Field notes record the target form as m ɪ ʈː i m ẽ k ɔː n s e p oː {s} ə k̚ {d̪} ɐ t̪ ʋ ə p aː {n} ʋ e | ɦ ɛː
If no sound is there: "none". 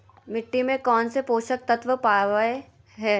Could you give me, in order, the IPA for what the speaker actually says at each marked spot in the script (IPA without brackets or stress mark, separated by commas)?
ʃ, t̪, none